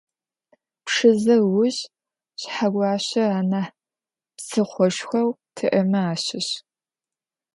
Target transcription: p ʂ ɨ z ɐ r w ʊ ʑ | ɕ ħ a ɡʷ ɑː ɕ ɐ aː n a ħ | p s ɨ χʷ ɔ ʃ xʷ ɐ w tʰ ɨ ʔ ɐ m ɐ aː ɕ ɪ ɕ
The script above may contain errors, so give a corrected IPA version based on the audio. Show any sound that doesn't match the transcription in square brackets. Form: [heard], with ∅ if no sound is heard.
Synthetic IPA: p ʂ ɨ z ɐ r w ʊ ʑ | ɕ ħ a ɡʷ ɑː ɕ ɐ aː n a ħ | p s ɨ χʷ ɔ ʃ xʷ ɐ w tʰ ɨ ʔ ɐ m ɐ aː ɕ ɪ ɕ

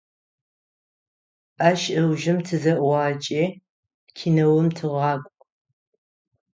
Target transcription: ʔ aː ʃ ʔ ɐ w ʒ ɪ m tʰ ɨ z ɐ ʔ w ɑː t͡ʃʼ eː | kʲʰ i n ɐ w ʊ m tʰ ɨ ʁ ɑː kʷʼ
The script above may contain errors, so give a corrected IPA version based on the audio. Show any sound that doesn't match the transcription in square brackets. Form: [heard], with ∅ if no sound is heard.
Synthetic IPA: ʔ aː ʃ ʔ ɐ w ʒ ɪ m tʰ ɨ z ɐ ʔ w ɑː t͡ʃʼ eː | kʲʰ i n ɐ w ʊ m tʰ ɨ ʁ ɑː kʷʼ

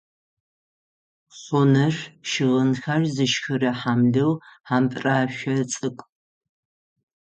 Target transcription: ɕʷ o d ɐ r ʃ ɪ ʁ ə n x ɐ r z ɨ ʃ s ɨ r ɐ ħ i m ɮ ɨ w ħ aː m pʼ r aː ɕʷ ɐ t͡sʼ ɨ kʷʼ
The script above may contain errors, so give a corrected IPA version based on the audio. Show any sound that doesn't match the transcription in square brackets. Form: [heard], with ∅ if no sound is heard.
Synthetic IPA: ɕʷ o [n] ɐ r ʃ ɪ ʁ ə n x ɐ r z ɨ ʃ [x] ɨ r ɐ ħ [a] m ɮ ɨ w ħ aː m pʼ r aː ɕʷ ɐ t͡sʼ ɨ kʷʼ

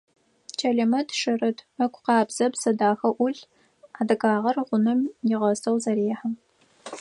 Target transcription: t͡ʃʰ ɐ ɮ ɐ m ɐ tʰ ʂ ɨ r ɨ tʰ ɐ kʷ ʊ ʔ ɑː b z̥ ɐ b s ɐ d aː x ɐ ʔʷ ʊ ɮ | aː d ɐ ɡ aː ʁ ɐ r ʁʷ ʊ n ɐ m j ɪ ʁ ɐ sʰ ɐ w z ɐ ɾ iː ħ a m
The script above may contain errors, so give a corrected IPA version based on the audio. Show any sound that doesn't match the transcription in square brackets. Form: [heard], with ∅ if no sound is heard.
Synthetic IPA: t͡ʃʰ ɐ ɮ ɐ m ɐ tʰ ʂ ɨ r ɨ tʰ ɐ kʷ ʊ [q] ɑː b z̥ ɐ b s ɐ d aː x ɐ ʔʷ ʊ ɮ | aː d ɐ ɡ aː ʁ ɐ r ʁʷ ʊ n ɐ m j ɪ ʁ ɐ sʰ ɐ w z ɐ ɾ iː ħ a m

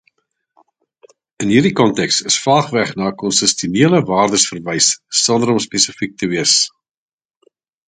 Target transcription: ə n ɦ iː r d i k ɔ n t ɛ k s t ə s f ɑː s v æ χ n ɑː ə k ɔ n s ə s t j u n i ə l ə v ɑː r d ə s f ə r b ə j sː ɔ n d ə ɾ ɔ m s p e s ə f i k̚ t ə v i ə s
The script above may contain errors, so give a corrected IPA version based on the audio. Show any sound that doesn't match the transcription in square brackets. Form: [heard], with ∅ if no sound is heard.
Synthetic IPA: ə n ɦ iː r d i k ɔ n t ɛ k s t ə s f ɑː [χ] v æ χ n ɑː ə k ɔ n s ə s t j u n i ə l ə v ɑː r d ə s f ə r [v] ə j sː ɔ n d ə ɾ ɔ m s p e s ə f i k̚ t ə v i ə s

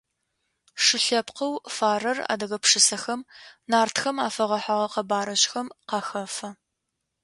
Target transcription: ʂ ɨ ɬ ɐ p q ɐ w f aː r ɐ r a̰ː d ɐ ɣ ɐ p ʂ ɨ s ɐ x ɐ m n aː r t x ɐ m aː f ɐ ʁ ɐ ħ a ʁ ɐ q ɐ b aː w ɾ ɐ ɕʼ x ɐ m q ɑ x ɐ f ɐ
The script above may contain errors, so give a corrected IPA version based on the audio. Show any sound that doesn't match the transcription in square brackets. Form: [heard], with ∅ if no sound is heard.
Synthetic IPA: ʂ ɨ ɬ ɐ p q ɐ w f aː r ɐ r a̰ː d ɐ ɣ ɐ p ʂ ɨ s ɐ x ɐ m n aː r t x ɐ m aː f ɐ ʁ ɐ ħ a ʁ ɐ q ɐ b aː [∅] ɾ ɐ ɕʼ x ɐ m q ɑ x ɐ f ɐ

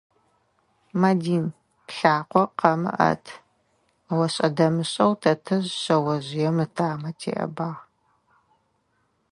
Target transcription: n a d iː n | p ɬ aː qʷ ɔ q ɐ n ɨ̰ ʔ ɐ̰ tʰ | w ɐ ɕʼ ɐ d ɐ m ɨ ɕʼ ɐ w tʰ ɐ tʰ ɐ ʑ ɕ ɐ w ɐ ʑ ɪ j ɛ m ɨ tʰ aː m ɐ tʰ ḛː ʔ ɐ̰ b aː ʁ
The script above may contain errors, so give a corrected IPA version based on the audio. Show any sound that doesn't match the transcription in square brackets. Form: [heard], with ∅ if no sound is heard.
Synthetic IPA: [m] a d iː n | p ɬ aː qʷ ɔ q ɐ [m] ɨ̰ ʔ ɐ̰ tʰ | w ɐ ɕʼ ɐ d ɐ m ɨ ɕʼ ɐ w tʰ ɐ tʰ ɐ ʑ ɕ ɐ w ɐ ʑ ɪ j ɛ m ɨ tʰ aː m ɐ tʰ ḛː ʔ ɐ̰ b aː ʁ

